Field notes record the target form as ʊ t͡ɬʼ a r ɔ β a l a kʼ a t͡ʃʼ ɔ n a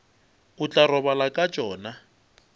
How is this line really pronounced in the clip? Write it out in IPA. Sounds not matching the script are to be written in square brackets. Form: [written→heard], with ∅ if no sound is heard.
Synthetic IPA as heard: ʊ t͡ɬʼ a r ɔ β a l a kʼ a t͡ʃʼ [ɔ→ɔː] n a